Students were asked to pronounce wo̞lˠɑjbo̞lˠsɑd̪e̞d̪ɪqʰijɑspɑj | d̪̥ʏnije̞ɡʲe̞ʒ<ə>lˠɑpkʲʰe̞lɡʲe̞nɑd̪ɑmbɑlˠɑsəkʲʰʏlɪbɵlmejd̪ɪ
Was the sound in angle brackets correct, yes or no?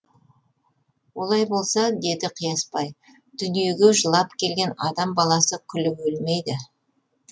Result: yes